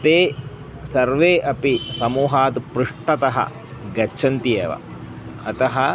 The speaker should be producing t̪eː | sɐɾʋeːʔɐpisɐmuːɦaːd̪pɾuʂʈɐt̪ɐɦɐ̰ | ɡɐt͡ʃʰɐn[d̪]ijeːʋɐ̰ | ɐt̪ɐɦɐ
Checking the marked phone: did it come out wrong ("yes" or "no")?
yes